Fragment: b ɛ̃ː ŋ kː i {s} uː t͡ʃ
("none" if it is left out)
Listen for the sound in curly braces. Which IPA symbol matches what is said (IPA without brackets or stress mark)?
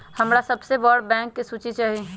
s